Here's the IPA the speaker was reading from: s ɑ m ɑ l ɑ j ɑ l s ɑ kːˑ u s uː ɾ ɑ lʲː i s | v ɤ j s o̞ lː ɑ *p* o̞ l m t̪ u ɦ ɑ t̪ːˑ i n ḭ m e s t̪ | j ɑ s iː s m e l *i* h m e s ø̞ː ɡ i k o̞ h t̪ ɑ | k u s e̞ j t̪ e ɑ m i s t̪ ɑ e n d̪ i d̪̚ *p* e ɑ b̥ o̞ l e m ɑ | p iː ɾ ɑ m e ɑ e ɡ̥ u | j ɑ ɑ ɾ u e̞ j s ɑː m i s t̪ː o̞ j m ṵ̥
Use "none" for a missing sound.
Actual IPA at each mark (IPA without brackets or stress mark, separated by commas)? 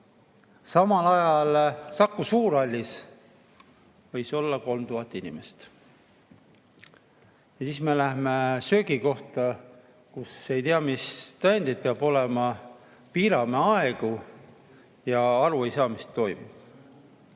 k, æ, p